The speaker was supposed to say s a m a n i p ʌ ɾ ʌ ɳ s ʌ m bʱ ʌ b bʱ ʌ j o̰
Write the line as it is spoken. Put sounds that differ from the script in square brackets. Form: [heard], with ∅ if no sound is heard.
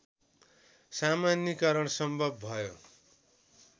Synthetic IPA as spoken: s a m a n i [k] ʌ ɾ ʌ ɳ s ʌ m bʱ ʌ b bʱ ʌ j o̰